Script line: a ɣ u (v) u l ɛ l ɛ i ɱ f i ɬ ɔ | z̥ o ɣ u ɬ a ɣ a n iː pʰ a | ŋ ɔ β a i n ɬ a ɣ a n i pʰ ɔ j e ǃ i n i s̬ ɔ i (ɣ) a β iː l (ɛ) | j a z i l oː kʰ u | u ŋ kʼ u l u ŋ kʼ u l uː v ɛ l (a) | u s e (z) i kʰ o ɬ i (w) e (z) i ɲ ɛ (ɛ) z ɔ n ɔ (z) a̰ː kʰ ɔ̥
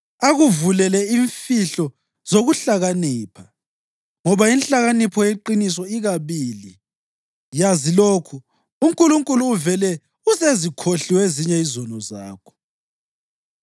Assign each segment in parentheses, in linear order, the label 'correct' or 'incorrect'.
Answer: correct, correct, incorrect, incorrect, correct, correct, correct, incorrect, correct

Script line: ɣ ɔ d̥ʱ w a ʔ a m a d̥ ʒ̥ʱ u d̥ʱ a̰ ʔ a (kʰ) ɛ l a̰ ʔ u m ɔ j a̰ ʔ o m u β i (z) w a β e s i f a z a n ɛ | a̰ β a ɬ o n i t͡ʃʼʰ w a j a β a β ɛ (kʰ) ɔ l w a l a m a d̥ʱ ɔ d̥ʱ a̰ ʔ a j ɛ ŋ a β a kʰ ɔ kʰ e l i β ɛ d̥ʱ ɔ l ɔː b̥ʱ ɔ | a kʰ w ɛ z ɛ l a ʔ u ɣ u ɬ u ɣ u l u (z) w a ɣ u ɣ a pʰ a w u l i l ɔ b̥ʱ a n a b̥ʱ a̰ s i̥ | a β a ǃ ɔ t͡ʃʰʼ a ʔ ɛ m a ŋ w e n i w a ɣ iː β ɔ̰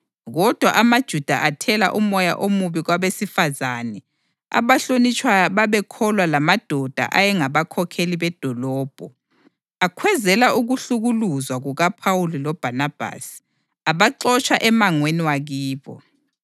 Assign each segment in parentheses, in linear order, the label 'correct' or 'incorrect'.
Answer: incorrect, incorrect, correct, correct

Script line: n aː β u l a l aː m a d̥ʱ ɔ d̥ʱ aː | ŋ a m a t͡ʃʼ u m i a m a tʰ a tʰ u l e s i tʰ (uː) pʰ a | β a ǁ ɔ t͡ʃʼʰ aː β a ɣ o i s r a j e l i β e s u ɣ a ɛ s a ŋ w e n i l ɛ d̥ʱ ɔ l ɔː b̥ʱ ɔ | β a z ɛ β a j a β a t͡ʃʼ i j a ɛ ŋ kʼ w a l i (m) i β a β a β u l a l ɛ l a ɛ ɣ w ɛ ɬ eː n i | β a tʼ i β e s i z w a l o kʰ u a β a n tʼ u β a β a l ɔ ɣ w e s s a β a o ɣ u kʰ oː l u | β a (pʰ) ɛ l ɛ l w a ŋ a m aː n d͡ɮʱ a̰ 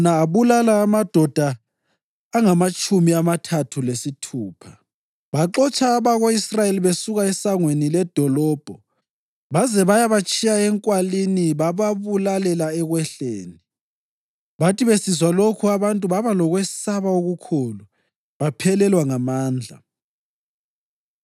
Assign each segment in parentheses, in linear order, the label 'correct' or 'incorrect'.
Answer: correct, incorrect, correct

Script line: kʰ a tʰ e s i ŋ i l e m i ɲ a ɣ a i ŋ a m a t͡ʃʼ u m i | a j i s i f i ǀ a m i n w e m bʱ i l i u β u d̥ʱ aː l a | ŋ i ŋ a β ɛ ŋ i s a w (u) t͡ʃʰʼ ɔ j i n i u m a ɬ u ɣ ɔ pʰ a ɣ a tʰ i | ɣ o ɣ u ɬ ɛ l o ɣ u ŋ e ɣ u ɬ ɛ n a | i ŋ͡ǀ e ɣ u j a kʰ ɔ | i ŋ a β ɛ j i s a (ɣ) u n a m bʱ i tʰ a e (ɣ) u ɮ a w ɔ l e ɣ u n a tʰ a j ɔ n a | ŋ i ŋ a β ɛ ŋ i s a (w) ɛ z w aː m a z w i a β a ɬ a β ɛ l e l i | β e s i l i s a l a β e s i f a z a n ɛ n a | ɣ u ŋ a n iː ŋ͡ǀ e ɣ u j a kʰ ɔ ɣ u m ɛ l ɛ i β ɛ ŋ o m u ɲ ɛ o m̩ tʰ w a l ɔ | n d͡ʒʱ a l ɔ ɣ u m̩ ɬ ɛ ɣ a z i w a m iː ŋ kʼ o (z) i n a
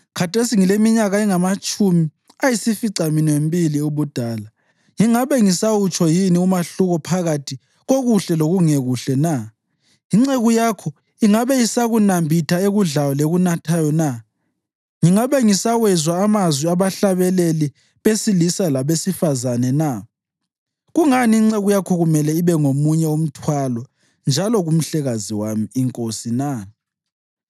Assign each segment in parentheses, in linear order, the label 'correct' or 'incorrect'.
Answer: correct, correct, correct, correct, incorrect

